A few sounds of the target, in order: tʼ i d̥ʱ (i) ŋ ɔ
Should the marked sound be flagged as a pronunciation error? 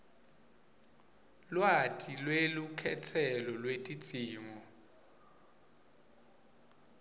yes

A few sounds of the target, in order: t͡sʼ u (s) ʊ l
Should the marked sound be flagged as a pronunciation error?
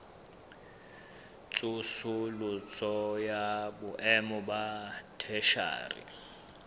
no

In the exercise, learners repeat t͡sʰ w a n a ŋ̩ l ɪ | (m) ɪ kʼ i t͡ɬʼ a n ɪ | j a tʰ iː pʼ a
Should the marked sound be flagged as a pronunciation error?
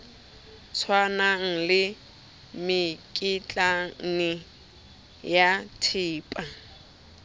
no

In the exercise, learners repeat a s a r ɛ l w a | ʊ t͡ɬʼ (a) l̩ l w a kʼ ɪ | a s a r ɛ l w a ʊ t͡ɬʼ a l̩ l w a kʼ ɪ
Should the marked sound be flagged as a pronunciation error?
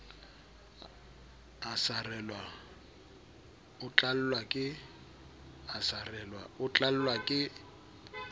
no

